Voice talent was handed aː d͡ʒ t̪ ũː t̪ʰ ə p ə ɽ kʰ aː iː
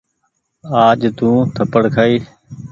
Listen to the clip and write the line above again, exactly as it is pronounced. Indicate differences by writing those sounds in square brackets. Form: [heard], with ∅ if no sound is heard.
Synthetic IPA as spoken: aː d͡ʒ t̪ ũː t̪ʰ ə p ə ɽ kʰ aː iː